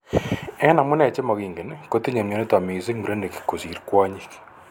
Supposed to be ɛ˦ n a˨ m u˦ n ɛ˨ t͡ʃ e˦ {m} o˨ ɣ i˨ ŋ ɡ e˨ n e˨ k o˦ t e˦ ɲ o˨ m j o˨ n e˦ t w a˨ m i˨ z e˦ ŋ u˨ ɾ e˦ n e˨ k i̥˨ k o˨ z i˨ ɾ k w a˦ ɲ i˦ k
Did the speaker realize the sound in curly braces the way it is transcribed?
yes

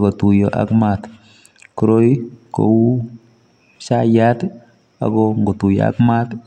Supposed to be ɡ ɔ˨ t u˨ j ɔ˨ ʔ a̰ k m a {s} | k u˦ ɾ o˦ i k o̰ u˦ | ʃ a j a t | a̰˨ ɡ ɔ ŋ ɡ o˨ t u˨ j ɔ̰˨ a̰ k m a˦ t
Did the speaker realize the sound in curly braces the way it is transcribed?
no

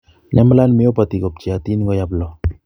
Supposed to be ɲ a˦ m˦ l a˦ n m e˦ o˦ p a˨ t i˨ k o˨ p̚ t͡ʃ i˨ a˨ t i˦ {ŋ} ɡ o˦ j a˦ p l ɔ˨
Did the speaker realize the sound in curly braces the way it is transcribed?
no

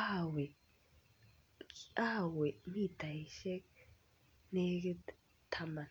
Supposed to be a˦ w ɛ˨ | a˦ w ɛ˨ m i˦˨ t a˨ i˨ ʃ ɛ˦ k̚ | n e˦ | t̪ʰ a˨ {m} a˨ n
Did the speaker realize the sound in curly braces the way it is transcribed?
yes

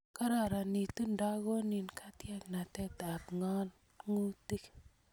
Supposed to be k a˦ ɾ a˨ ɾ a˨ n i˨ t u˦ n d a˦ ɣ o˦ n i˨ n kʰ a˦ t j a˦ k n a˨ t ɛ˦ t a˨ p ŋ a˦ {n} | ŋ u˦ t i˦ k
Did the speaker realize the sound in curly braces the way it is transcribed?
yes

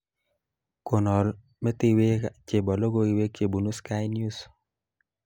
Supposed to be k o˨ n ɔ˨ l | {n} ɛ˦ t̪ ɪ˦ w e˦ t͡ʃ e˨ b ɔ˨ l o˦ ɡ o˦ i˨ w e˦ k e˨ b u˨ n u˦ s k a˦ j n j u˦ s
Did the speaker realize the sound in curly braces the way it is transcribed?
no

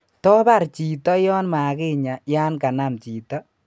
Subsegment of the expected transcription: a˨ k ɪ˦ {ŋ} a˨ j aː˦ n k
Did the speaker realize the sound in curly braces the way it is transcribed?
no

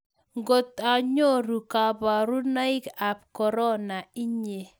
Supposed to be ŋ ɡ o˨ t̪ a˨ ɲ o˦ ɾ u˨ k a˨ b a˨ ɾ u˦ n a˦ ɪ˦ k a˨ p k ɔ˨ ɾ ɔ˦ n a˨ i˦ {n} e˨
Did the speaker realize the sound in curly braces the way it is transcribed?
no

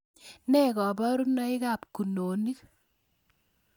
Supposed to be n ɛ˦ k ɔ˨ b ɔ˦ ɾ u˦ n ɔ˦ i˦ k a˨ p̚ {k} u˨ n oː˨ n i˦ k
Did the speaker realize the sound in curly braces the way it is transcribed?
yes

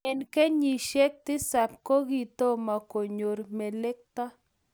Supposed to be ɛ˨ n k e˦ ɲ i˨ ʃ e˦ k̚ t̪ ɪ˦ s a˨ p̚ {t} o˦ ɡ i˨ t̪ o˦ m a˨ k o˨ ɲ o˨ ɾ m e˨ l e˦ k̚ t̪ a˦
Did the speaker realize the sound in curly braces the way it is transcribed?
no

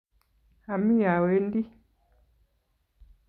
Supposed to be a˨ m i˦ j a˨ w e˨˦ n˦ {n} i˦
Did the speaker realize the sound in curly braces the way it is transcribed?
no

